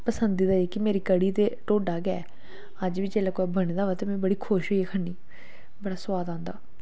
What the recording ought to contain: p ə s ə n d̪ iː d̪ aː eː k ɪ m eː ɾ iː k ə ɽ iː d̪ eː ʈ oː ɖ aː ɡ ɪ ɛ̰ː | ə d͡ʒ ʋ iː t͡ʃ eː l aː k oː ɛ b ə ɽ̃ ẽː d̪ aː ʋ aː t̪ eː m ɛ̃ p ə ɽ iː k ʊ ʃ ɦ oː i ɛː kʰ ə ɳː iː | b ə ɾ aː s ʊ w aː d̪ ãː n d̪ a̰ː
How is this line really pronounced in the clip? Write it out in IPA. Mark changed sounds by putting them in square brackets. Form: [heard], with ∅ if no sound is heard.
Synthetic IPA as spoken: p ə s ə n d̪ iː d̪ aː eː k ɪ m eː ɾ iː k ə ɽ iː [t̪] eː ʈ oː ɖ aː ɡ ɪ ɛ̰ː | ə d͡ʒ ʋ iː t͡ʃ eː l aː k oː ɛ b ə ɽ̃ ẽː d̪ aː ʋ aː t̪ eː m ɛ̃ [b] ə ɽ iː [kʰ] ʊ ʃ ɦ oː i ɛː kʰ ə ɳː iː | b ə [ɽ] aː s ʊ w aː d̪ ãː n d̪ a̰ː